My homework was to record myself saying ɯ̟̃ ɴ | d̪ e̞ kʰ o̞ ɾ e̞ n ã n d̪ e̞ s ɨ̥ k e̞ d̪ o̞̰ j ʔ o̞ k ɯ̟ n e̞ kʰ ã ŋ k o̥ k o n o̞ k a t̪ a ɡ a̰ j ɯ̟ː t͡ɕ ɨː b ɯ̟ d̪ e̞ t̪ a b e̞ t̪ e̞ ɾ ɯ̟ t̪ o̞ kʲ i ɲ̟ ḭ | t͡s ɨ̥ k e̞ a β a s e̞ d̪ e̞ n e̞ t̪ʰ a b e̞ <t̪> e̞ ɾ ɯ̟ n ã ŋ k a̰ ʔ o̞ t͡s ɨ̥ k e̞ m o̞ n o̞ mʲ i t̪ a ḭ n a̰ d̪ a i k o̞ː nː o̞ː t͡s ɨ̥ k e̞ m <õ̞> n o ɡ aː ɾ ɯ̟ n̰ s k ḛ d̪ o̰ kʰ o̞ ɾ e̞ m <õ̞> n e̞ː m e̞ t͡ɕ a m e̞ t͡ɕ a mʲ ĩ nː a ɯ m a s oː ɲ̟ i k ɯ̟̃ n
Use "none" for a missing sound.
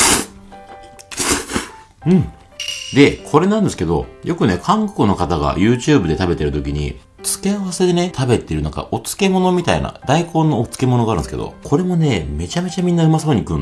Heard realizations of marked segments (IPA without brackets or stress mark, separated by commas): t̪, o̞, o̞